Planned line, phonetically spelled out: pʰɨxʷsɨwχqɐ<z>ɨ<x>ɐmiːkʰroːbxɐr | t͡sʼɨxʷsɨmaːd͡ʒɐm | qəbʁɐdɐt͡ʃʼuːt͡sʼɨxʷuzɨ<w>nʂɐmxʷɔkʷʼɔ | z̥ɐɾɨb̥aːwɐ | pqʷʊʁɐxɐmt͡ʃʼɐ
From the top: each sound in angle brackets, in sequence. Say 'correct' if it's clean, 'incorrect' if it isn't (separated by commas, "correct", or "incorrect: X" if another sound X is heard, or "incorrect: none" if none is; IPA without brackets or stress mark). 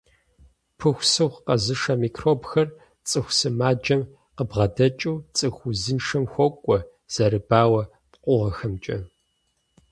correct, incorrect: ʂ, incorrect: none